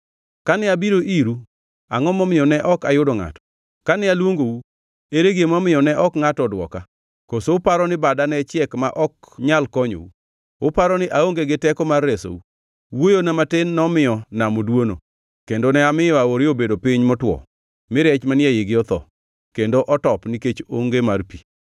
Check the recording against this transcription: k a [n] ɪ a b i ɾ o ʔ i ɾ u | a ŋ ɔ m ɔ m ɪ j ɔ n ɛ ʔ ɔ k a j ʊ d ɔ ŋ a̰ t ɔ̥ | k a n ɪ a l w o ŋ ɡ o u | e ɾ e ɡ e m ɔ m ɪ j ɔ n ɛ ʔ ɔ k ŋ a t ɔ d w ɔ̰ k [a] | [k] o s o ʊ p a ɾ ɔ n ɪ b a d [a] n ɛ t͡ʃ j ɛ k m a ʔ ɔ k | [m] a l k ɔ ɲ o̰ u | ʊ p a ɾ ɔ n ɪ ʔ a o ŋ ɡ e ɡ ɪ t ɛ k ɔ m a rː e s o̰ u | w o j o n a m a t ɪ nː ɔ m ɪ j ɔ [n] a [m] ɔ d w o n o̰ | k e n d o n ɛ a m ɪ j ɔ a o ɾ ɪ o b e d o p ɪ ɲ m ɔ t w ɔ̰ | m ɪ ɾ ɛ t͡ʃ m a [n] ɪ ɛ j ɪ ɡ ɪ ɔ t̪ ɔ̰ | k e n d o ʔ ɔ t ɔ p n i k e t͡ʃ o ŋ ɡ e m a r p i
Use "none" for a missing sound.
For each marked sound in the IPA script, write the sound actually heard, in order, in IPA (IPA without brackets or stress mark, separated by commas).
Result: n, a, k, a, ɲ, n, m, n